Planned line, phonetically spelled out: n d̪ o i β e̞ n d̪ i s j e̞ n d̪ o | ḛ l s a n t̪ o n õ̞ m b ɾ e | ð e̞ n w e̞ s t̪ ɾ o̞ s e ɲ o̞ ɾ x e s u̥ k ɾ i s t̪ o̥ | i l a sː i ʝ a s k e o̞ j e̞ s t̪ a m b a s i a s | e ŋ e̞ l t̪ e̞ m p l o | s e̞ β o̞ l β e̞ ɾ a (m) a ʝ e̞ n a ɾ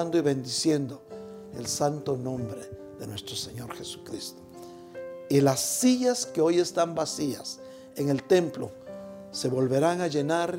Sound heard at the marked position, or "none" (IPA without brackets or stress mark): ŋ